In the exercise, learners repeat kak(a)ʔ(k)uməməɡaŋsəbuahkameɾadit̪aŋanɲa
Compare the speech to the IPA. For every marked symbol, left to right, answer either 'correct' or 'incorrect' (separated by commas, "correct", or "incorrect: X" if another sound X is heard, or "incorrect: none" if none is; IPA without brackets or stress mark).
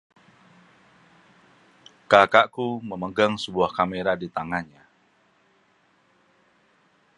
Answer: correct, correct